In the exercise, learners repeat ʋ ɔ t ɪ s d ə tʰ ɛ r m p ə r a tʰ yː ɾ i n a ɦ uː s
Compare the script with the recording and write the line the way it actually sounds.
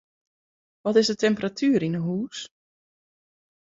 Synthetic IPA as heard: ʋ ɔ t ɪ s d ə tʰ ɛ m p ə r a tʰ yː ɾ i n ə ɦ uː s

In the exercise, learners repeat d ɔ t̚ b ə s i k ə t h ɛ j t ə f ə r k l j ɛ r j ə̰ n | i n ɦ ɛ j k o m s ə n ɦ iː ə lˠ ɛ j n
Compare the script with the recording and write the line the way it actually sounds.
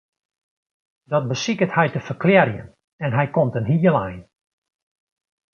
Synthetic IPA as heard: d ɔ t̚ b ə s i k ə t h ɛ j t ə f ə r k l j ɛ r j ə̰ n | ɛ n ɦ ɛ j k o m t ə n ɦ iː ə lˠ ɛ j n

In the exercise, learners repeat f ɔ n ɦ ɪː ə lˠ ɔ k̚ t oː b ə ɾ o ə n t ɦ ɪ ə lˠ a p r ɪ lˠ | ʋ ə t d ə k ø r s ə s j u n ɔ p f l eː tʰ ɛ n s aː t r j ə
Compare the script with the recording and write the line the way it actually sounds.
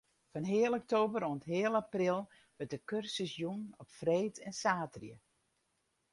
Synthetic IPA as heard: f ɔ n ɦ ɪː ə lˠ ɔ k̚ t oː b ə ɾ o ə n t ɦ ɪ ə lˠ a p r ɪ lˠ | ʋ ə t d ə k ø r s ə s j u n ɔ p f r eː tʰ ɛ n s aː t r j ə

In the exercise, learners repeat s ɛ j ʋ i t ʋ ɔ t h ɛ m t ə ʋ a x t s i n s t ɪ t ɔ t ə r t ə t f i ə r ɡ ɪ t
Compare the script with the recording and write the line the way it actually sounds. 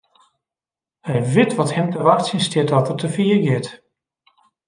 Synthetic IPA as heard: h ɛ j ʋ ɪ t ʋ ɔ t h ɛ m t ə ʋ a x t s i n s t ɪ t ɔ t ə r t ə f i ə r ɡ ɪ t

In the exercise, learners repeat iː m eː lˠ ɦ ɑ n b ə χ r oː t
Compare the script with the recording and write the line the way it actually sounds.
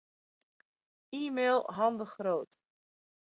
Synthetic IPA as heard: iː m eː lˠ ɦ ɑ n d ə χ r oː t

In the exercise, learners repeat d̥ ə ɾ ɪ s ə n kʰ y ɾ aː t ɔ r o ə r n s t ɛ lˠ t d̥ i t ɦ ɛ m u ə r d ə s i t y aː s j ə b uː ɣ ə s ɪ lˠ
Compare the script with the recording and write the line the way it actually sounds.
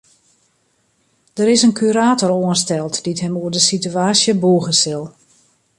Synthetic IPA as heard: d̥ ə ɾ ɪ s ə n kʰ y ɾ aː t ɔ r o ə n s t ɛ lˠ t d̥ i t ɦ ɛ m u ə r d ə s i t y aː s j ə b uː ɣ ə s ɪ lˠ

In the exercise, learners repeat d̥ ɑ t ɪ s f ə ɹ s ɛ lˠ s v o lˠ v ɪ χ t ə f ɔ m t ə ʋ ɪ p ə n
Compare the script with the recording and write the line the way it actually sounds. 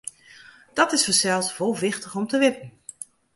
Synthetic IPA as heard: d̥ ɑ t ɪ s f ə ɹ s ɛ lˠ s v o lˠ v ɪ χ t ə χ ɔ m t ə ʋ ɪ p ə n

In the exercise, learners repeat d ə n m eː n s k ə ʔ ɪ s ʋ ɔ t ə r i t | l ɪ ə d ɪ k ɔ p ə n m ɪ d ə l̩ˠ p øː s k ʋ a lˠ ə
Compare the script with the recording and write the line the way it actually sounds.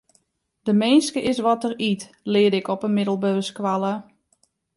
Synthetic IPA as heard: d ə m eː n s k ə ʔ ɪ s ʋ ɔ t ə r i t | l ɪ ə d ɪ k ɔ p ə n m ɪ d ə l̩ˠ b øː s k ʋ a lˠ ə

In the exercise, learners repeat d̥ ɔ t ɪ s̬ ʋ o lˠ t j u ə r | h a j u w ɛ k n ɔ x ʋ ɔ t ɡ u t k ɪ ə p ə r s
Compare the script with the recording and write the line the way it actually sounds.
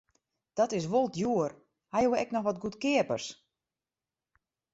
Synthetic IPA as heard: d̥ ɔ t ɪ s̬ ʋ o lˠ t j u ə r | h a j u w ɛ k n ɔ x ʋ ɔ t ɡ u t k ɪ ə p ə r s

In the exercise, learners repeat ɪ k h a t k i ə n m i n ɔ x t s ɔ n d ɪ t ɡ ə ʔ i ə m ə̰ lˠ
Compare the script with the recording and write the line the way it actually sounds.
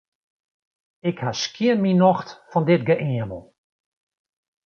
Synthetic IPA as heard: ɪ k h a s k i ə n m i n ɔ x t f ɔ n d ɪ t ɡ ə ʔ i ə m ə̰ lˠ

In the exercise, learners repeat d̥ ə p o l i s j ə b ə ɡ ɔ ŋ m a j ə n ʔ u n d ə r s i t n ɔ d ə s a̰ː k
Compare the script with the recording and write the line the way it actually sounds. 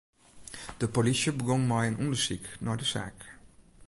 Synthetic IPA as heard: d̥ ə p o l i s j ə b ə ɡ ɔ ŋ m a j ə n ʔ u n d ə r s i k n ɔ d ə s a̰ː k

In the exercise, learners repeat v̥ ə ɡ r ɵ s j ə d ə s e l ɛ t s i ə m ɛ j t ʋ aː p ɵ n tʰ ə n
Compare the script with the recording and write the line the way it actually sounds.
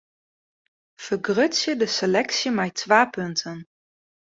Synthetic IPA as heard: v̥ ə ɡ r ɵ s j ə d ə s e l ɛ k s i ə m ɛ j t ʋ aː p ɵ n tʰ ə n

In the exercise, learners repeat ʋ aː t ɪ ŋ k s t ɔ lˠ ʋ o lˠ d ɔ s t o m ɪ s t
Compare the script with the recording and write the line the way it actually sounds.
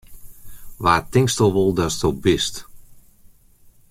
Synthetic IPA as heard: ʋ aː t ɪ ŋ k s t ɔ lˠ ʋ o lˠ d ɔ s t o b ɪ s t

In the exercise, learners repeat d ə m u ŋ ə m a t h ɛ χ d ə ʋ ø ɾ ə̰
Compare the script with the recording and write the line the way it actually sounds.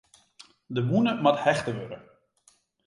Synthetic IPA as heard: d ə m u n ə m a t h ɛ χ t ə ʋ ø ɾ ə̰

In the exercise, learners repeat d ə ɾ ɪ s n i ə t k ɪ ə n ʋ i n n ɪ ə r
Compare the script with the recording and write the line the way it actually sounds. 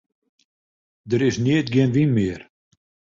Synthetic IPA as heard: d ə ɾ ɪ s n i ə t ɡ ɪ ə n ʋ i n m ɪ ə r

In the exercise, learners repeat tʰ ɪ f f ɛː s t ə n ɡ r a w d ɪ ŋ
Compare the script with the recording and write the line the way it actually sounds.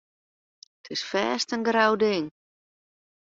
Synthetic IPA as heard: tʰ ɪ s f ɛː s t ə n ɡ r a w d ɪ ŋ

